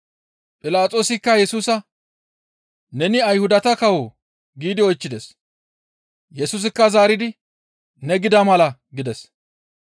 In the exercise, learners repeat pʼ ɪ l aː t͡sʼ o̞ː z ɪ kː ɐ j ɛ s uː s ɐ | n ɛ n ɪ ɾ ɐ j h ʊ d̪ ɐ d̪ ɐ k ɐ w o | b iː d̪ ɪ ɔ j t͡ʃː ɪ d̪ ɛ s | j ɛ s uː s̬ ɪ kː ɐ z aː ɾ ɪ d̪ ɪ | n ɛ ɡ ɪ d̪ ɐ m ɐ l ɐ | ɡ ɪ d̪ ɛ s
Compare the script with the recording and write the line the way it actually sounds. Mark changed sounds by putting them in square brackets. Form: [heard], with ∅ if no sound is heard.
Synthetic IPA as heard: pʼ ɪ l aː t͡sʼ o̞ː [s] ɪ kː ɐ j ɛ s uː s ɐ | n ɛ n ɪ [∅] ɐ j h ʊ d̪ ɐ [t̪] ɐ k ɐ w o | [ɡ] iː d̪ ɪ ɔ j t͡ʃː ɪ d̪ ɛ s | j ɛ s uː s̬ ɪ kː ɐ z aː ɾ ɪ d̪ ɪ | n ɛ ɡ ɪ d̪ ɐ m ɐ l ɐ | ɡ ɪ d̪ ɛ s